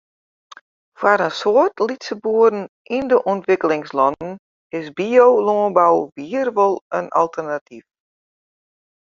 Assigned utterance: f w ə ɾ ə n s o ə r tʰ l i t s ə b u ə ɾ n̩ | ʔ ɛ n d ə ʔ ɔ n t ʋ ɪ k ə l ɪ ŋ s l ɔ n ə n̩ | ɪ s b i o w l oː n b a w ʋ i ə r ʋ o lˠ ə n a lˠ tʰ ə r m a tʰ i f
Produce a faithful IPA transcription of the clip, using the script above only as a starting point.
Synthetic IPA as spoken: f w a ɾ ə n s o ə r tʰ l i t s ə b u ə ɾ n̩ | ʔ i n d ə ʔ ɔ n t ʋ ɪ k ə l ɪ ŋ s l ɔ n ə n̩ | ɪ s b i o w l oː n b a w ʋ i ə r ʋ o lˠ ə n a lˠ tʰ ə r n a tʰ i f